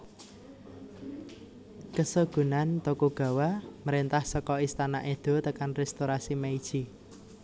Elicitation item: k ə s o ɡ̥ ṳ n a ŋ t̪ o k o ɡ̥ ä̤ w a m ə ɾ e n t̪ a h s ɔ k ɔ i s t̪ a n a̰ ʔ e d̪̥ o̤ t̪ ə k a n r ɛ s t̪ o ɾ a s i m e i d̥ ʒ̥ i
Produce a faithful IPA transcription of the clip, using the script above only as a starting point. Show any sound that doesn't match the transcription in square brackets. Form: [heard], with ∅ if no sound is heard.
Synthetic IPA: k ə s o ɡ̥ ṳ n a [n] t̪ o k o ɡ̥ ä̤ w a m ə ɾ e n t̪ a h s ɔ k ɔ i s t̪ a n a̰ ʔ e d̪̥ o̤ t̪ ə k a n r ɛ s t̪ o ɾ a s i m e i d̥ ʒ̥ i

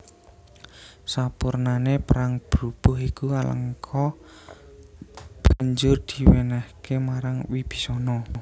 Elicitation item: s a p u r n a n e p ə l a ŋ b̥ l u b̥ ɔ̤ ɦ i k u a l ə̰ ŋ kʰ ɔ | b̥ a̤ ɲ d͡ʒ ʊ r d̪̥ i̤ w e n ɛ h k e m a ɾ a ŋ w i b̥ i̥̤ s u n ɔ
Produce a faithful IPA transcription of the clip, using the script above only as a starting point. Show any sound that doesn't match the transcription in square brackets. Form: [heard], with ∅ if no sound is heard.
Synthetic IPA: s a p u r n a n e p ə [ɾ] a ŋ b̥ [ɾ] u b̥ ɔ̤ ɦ i k u a l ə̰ ŋ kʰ ɔ | b̥ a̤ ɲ d͡ʒ ʊ r d̪̥ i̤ w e n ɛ h k e m a ɾ a ŋ w i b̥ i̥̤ s [ɔ] n ɔ

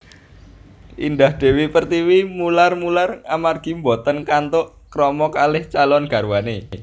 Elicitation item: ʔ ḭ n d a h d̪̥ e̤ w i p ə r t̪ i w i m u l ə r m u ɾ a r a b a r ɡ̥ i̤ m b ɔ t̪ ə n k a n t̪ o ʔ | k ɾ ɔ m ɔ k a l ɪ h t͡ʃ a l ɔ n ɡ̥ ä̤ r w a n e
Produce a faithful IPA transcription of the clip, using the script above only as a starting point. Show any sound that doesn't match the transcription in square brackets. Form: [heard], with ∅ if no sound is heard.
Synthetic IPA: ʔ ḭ n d a h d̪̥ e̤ w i p ə r t̪ i w i m u l [a] r m u [l] a r a [m] a r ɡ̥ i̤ m b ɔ t̪ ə n k a n t̪ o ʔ | k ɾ ɔ m ɔ k a l ɪ h t͡ʃ a l ɔ n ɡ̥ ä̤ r w a n e

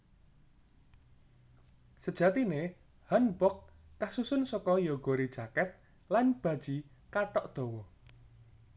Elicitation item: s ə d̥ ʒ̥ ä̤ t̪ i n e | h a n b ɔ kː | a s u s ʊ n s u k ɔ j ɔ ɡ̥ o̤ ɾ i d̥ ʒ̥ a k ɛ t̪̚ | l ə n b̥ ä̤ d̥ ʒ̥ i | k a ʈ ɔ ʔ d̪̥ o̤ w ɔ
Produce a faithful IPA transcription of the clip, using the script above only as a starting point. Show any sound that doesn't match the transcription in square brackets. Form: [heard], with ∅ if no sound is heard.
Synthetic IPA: s ə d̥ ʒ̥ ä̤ t̪ i n e | h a n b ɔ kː | a s u s ʊ n s [ɔ] k ɔ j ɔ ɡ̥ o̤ ɾ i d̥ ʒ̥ a k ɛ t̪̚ | l [a] n b̥ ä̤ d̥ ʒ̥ i | k a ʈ ɔ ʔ d̪̥ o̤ w ɔ

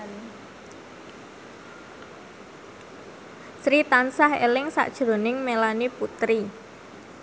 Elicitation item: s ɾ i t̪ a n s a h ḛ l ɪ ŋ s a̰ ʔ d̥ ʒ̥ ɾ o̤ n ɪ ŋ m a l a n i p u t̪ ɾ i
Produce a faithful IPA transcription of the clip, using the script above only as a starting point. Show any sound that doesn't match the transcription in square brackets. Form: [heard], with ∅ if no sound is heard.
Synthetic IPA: s ɾ i t̪ a n s a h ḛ l ɪ ŋ s a̰ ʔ d̥ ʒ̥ ɾ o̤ n ɪ ŋ m [e] l a n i p u t̪ ɾ i

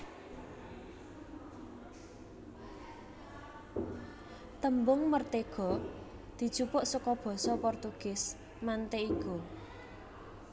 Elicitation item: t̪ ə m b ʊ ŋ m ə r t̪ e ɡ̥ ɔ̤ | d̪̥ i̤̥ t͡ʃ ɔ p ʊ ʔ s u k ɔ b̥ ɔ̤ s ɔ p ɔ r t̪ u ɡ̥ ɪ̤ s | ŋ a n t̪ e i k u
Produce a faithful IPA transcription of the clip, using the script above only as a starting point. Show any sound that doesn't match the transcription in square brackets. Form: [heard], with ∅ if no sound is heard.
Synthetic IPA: t̪ ə m b ʊ ŋ m ə r t̪ e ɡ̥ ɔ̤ | d̪̥ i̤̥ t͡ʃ [u] p ʊ ʔ s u k ɔ b̥ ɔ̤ s ɔ p ɔ r t̪ u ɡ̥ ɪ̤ s | [m] a n t̪ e i k u

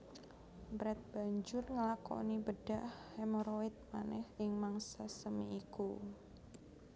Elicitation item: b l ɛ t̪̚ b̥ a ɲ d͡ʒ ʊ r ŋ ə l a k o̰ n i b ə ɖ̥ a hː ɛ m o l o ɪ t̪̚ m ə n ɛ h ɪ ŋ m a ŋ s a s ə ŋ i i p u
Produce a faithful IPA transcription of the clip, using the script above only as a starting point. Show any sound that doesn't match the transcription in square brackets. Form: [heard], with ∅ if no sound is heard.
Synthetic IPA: b [ɾ] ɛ t̪̚ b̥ a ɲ d͡ʒ ʊ r ŋ ə l a k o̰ n i b ə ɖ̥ a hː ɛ m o [ɾ] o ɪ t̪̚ m [a] n ɛ h ɪ ŋ m a ŋ s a s ə [m] i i [k] u

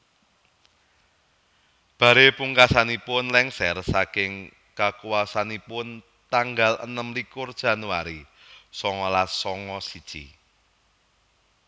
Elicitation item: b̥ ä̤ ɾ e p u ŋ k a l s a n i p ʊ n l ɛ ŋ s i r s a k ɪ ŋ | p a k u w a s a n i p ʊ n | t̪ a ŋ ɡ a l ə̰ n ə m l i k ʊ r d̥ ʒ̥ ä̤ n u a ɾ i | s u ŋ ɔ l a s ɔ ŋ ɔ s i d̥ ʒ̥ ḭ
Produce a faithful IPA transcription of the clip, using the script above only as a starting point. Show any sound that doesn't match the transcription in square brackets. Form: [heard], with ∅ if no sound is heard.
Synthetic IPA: b̥ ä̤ ɾ e p u ŋ k a [∅] s a n i p ʊ n l ɛ ŋ s [ɛ] r s a k ɪ ŋ | [k] a k u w a s a n i p ʊ n | t̪ a ŋ ɡ a l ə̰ n ə m l i k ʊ r d̥ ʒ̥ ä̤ n u a ɾ i | s [ɔ] ŋ ɔ l a s ɔ ŋ ɔ s i d̥ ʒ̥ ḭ

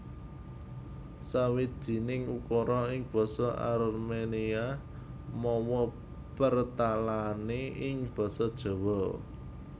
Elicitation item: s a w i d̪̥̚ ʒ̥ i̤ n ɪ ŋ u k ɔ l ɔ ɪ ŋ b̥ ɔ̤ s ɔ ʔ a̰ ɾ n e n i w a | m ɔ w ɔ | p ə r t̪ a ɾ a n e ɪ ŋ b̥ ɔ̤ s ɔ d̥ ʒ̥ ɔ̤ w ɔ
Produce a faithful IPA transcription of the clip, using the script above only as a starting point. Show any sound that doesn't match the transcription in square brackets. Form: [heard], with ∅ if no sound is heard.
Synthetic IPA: s a w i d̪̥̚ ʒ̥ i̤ n ɪ ŋ u k ɔ [ɾ] ɔ ɪ ŋ b̥ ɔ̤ s ɔ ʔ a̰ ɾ [m] e n i [∅] a | m ɔ w ɔ | p ə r t̪ a [l] a n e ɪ ŋ b̥ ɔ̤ s ɔ d̥ ʒ̥ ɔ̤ w ɔ

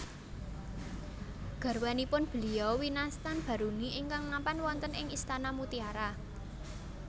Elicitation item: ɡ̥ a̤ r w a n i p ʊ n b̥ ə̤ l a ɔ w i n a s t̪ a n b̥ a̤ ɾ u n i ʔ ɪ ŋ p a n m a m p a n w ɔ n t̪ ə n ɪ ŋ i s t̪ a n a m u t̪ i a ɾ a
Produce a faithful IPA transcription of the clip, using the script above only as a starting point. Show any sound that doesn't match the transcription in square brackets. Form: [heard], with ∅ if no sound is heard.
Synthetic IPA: ɡ̥ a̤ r w a n i p ʊ n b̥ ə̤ l [i] ɔ w i n a s t̪ a n b̥ a̤ ɾ u n i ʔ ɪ ŋ [k] a [ŋ] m a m p a n w ɔ n t̪ ə n ɪ ŋ i s t̪ a n a m u t̪ i a ɾ a

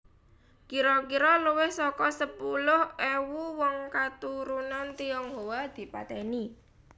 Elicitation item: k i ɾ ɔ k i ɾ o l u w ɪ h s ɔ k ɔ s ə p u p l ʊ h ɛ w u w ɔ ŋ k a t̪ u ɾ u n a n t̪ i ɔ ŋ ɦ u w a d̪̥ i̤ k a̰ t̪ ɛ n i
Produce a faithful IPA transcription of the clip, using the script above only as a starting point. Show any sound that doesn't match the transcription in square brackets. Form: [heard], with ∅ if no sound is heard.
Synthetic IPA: k i ɾ ɔ k i ɾ [ɔ] l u w ɪ h s ɔ k ɔ s ə p u [∅] l ʊ h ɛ w u w ɔ ŋ k a t̪ u ɾ u n a n t̪ i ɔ ŋ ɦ [o] w a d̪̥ i̤ [p] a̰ t̪ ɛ n i

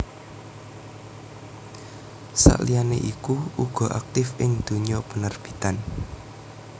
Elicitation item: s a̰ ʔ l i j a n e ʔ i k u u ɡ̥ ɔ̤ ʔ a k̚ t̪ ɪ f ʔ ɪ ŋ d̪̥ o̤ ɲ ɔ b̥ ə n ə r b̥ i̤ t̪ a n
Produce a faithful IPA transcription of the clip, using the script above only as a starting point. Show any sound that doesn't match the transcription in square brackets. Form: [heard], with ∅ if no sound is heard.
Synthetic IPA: s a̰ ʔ l i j a n e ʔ i k u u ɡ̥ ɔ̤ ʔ a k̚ t̪ ɪ f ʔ ɪ ŋ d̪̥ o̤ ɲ ɔ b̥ ə n ə r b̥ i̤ t̪ a n

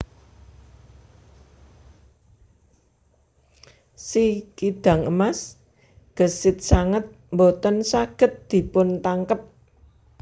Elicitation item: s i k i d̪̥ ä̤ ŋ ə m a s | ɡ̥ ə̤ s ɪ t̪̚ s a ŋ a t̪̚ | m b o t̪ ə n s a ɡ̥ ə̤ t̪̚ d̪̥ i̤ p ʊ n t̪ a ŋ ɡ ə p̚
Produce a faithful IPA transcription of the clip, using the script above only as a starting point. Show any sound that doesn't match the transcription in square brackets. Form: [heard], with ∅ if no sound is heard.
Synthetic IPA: s i k i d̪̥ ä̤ ŋ ə m a s | ɡ̥ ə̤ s ɪ t̪̚ s a ŋ [ə] t̪̚ | m b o t̪ ə n s a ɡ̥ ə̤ t̪̚ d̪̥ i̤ p ʊ n t̪ a ŋ [k] ə p̚

